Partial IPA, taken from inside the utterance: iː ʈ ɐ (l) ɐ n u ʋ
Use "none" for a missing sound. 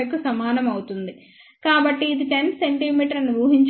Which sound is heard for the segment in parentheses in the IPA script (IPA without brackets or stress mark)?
ɾ